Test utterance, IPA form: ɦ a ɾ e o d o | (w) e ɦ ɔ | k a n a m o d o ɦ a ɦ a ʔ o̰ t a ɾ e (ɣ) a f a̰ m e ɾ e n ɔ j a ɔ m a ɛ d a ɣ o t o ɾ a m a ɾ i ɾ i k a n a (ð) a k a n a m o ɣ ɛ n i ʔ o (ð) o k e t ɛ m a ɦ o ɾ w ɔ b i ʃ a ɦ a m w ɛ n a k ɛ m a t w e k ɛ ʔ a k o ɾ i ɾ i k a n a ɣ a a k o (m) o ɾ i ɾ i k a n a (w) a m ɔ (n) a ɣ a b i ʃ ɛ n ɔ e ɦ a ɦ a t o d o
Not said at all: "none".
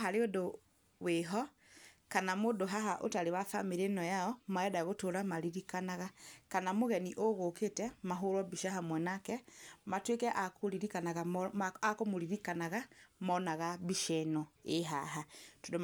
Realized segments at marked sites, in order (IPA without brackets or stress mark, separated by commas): w, w, ɣ, ɣ, m, ɣ, n